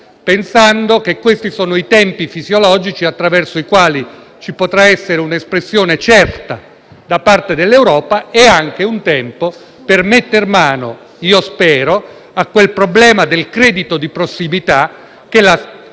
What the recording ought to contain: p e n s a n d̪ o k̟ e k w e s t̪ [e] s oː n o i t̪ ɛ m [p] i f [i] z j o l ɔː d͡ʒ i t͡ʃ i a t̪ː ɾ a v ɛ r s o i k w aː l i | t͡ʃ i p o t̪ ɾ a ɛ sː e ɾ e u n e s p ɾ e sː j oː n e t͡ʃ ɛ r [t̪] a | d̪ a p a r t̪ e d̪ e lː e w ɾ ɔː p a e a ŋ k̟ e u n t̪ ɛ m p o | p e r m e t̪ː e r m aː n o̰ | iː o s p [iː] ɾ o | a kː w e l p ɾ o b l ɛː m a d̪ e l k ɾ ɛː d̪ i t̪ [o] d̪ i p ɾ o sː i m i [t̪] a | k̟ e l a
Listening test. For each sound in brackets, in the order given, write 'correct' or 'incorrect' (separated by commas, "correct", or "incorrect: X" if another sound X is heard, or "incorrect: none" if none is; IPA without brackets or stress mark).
incorrect: i, correct, correct, correct, incorrect: ɛː, correct, correct